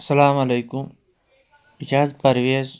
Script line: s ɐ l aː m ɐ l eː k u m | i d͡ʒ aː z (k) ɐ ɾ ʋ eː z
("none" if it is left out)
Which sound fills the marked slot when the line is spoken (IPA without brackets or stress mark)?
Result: p